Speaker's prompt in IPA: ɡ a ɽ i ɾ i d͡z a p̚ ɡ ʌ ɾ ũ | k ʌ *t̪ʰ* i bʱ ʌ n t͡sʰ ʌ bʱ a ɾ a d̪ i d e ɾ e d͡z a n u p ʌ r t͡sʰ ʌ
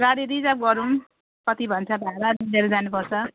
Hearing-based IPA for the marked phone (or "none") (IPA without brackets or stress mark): t̪